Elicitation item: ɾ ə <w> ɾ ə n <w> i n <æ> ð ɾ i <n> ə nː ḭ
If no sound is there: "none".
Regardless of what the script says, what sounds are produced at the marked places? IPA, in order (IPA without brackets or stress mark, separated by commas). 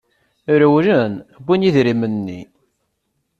w, b, i, m